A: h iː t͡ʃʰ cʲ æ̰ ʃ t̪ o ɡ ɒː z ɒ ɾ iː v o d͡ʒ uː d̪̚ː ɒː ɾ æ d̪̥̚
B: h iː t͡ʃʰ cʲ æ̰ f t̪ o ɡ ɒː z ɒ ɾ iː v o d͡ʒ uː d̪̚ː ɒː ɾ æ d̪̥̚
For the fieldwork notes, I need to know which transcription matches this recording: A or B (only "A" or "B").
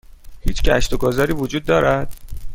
A